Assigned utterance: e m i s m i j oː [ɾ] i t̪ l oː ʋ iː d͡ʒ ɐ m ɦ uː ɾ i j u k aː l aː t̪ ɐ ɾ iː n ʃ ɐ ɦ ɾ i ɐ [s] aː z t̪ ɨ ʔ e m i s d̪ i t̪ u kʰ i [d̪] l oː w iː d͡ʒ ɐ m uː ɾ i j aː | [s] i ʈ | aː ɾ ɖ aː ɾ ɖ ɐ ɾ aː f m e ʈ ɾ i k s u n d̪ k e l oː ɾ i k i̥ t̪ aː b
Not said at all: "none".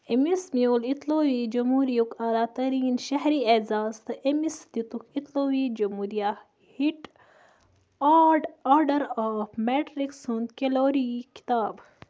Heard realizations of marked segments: l, z, t̪, h

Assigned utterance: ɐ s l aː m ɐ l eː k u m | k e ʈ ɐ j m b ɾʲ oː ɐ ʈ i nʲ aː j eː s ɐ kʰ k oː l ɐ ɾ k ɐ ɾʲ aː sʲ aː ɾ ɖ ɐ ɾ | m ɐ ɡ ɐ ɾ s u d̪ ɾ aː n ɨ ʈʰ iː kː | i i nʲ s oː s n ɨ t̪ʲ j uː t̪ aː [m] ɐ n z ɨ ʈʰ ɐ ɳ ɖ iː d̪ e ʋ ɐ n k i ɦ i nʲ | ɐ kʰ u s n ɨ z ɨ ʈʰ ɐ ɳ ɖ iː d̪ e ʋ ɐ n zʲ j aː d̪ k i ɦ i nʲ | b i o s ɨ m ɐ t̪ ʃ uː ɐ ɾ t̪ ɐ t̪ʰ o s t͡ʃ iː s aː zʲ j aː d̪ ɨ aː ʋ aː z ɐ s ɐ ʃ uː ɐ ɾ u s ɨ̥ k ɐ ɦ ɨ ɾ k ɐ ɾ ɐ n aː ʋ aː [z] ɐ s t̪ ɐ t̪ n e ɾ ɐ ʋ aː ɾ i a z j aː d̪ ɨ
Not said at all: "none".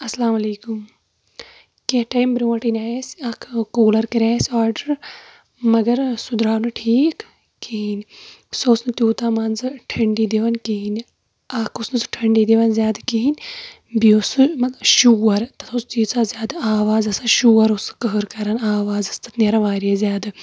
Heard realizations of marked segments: m, z

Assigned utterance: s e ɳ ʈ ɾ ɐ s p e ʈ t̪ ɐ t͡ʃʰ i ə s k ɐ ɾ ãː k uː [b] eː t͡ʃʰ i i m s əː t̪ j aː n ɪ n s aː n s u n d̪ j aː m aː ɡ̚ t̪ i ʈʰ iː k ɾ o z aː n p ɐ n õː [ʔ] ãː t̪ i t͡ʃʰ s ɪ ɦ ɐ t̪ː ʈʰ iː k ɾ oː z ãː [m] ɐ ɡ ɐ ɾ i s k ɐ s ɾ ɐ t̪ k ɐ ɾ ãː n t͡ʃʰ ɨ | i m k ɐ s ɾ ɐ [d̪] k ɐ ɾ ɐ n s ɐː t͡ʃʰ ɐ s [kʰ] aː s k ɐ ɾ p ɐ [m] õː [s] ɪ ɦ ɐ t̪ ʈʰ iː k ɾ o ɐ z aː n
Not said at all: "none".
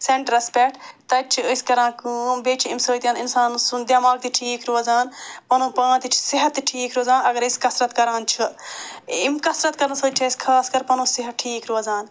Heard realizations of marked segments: b, p, n, t̪, kʰ, n, s

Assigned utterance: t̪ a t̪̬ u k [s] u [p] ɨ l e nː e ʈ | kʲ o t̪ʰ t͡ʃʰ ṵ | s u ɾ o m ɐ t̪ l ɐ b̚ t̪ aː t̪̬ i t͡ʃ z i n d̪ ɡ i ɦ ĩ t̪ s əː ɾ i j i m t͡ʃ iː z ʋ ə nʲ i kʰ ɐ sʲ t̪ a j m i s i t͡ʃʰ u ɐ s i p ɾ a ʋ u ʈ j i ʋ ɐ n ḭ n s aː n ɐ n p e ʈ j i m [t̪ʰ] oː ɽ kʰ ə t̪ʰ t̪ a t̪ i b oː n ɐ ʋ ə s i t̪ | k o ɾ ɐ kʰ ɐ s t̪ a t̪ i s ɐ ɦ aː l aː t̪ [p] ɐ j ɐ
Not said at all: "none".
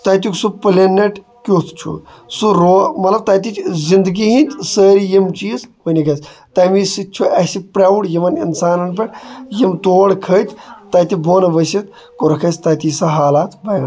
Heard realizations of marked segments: s, p, t̪, b

